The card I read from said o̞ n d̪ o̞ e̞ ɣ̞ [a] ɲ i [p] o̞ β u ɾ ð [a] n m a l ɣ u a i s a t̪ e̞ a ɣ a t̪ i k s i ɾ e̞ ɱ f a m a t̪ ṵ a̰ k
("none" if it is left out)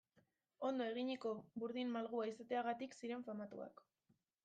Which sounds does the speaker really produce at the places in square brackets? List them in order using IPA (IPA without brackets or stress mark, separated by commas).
i, k, i